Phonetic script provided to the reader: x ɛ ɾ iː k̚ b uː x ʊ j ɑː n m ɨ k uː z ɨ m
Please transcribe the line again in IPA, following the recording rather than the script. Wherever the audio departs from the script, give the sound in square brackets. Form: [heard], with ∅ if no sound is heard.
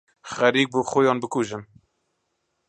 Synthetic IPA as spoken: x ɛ ɾ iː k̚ b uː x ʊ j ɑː n [b] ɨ k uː [ʒ] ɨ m